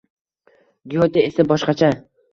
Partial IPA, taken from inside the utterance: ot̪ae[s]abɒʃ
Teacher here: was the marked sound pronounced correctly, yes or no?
yes